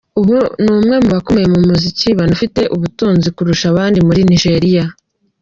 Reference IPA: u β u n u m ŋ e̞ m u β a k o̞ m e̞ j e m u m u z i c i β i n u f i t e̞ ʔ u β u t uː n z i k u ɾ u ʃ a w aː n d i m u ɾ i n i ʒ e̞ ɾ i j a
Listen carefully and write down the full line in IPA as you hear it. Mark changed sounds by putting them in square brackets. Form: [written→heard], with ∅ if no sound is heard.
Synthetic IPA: u β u n u m ŋ e̞ m u β a k o̞ m e̞ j e m u m u z i c i β [i→a] n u f i t e̞ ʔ u β u t uː n z i k u ɾ u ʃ a [w→β] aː n d i m u ɾ i n i ʒ e̞ ɾ i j a